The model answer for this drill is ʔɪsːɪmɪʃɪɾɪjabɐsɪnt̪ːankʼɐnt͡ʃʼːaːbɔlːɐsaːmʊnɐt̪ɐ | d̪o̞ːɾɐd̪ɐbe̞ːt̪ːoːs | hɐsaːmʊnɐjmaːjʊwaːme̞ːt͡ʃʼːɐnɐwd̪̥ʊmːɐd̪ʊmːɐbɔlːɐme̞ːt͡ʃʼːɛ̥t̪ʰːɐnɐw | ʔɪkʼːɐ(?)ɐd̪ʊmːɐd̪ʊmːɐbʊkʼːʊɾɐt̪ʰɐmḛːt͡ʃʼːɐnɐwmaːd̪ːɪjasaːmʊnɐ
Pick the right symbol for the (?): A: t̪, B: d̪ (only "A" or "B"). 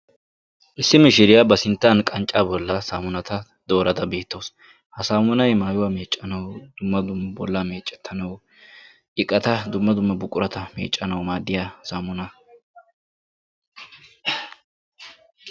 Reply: A